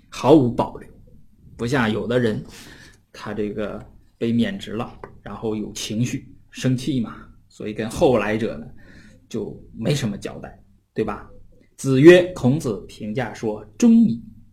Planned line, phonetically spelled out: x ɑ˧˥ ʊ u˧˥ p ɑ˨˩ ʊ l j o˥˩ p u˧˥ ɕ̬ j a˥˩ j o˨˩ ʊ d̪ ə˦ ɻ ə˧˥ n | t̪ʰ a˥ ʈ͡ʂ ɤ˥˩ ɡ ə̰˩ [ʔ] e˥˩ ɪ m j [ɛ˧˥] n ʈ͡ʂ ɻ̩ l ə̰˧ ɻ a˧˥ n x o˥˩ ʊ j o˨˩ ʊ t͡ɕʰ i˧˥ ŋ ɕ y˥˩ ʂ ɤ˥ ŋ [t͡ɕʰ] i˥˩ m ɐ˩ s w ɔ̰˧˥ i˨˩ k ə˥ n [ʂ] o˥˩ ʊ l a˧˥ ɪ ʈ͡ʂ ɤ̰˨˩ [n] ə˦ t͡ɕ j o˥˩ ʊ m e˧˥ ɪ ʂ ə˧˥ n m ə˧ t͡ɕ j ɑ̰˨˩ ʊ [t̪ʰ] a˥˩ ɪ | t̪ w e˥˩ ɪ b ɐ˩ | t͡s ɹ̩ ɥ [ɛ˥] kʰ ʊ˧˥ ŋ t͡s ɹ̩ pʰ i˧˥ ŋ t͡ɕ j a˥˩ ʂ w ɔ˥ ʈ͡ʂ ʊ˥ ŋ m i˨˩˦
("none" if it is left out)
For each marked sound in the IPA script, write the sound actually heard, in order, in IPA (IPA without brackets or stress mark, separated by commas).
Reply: p, ɛ˨˩, t͡ɕʰ, x, n, t̪, ɛ˥